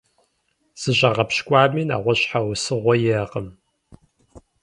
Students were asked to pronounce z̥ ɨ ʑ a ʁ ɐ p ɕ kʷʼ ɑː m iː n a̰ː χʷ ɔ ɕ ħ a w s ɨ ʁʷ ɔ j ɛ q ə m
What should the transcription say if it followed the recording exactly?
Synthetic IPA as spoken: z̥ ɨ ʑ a ʁ ɐ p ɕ kʷʼ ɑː m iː n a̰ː ʁʷ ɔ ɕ ħ a w s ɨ ʁʷ ɔ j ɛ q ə m